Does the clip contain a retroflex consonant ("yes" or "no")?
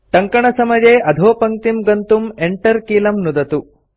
yes